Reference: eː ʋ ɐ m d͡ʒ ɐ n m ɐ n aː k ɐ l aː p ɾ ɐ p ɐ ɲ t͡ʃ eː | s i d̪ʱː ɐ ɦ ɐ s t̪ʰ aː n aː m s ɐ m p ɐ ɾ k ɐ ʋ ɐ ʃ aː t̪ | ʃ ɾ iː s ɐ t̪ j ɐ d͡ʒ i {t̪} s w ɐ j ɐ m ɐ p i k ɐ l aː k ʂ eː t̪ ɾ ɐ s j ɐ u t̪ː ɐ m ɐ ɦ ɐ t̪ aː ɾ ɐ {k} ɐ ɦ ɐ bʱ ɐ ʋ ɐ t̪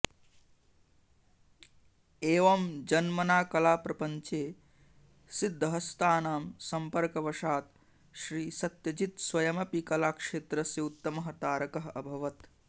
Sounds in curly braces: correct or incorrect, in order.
correct, correct

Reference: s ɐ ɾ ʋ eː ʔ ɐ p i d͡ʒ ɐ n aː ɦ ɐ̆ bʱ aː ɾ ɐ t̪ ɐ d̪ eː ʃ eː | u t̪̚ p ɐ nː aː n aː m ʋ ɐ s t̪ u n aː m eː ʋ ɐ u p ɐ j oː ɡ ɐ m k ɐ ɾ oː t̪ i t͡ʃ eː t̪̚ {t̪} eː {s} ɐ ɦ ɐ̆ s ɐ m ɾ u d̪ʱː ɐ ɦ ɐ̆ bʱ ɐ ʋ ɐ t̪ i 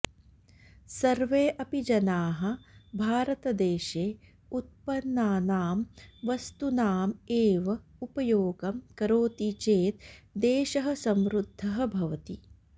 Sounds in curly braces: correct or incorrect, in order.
incorrect, incorrect

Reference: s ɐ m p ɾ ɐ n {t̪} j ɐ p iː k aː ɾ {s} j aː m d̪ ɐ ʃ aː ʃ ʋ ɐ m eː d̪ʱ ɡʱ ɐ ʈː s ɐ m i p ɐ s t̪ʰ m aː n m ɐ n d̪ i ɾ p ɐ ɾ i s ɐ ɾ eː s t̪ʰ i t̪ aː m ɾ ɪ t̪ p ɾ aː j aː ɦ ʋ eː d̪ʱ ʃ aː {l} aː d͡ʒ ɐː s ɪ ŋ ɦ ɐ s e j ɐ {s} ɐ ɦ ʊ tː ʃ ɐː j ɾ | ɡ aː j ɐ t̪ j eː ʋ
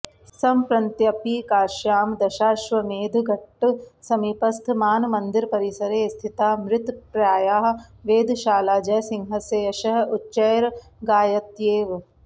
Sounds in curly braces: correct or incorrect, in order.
correct, incorrect, correct, incorrect

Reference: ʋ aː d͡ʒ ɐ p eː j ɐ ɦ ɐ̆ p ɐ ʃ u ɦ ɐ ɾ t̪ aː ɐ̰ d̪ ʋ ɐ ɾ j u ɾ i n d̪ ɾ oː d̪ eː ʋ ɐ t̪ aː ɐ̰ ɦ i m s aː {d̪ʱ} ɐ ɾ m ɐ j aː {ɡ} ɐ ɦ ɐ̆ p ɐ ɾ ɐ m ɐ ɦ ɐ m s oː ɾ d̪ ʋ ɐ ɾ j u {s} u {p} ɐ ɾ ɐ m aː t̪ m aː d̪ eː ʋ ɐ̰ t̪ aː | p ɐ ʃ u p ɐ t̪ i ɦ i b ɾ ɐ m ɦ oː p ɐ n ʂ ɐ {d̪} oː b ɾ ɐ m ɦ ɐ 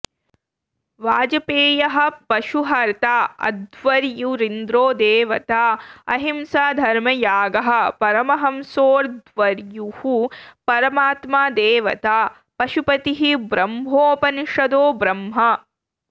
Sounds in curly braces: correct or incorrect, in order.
correct, correct, incorrect, correct, correct

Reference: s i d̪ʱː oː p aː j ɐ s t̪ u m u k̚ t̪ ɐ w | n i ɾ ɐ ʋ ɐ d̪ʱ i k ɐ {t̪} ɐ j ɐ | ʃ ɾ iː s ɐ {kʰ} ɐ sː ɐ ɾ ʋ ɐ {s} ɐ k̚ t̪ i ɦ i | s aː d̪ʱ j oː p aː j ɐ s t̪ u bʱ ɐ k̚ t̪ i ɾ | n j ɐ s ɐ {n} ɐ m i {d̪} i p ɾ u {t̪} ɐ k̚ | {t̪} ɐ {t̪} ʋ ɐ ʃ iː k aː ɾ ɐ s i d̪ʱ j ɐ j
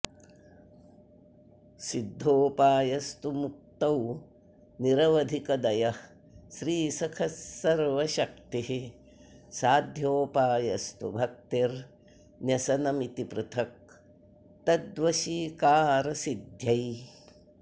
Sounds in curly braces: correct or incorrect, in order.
incorrect, correct, incorrect, correct, incorrect, incorrect, correct, incorrect

